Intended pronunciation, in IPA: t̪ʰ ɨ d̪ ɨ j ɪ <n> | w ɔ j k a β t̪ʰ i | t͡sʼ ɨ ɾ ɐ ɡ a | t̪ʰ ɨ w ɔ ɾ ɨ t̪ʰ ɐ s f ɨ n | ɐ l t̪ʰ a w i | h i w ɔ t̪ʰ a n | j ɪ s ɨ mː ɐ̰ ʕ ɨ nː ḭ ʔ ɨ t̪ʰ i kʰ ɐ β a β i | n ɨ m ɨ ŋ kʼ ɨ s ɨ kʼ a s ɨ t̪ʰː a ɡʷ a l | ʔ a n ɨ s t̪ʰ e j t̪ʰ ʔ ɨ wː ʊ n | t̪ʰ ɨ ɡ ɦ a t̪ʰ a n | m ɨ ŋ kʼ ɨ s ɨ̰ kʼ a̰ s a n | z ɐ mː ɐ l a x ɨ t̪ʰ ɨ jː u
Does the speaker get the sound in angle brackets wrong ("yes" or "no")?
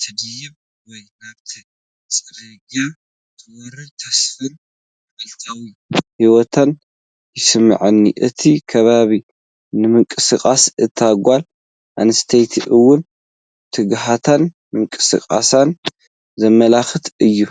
yes